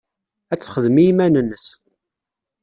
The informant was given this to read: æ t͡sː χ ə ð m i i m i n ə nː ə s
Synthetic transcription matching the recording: æ t͡sː χ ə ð m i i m æ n ə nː ə s